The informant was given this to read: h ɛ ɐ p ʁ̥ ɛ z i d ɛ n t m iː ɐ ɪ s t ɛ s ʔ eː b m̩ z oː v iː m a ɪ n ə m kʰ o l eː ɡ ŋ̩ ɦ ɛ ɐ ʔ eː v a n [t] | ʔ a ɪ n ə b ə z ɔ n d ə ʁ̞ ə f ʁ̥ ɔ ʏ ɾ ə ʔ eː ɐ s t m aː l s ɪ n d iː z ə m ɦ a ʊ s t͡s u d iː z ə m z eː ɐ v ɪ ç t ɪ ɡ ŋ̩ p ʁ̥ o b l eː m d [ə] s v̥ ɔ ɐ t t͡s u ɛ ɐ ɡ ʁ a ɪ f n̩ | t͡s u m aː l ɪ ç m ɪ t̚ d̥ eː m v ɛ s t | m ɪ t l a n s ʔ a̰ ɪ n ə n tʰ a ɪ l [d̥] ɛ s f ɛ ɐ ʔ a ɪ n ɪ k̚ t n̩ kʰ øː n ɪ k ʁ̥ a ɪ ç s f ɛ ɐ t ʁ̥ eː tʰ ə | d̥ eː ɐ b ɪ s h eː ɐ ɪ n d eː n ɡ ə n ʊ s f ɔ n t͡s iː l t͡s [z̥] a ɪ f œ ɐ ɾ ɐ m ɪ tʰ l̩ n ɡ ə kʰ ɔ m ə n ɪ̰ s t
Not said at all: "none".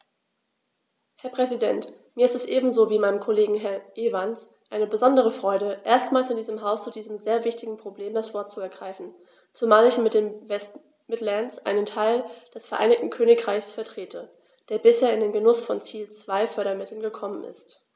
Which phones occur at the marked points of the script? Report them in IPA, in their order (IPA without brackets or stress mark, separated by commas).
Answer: s, a, d̥, v̥